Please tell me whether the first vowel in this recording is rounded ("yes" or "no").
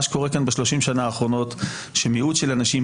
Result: yes